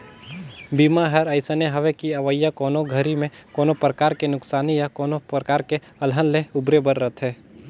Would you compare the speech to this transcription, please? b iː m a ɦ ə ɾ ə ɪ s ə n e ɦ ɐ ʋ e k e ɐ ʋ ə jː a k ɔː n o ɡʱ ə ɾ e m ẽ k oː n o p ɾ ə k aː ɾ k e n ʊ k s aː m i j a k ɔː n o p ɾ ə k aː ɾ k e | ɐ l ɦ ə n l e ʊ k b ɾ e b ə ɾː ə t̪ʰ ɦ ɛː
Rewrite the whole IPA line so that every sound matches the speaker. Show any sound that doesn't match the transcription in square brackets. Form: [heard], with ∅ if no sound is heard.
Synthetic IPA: b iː m a ɦ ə ɾ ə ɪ s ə n e ɦ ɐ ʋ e k [i] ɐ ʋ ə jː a k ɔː n o ɡʱ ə ɾ [i] m ẽ k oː n o p ɾ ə k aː ɾ k e n ʊ k s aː [n] i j a k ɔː n o p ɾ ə k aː ɾ k e | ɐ l ɦ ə n l e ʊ [∅] b ɾ e b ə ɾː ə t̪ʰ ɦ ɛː